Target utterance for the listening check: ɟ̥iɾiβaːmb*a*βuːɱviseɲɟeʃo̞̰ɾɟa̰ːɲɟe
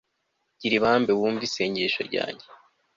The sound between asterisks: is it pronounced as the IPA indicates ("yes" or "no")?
no